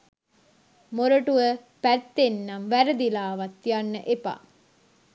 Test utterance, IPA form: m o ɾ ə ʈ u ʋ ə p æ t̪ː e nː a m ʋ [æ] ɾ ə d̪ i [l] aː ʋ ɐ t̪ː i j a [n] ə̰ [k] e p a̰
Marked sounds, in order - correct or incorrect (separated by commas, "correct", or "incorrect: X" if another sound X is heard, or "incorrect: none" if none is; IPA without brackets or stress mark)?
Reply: correct, correct, incorrect: nː, incorrect: ʔ